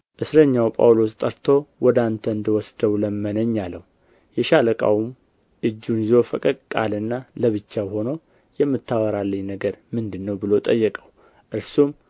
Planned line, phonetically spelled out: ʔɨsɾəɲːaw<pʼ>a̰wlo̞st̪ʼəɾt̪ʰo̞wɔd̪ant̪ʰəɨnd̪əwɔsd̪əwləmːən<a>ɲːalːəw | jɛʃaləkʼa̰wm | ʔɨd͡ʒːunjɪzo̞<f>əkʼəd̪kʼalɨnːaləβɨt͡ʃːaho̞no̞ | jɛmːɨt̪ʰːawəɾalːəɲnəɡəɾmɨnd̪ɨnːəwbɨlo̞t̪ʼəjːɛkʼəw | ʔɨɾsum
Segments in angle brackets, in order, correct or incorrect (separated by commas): correct, incorrect, correct